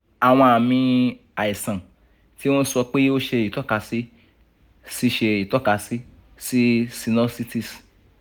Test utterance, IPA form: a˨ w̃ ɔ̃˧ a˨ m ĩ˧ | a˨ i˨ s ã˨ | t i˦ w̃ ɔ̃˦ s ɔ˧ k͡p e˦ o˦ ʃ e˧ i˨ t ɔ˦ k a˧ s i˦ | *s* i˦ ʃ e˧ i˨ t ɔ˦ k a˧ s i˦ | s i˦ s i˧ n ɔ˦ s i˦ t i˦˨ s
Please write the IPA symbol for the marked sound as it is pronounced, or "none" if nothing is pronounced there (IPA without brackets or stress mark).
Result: s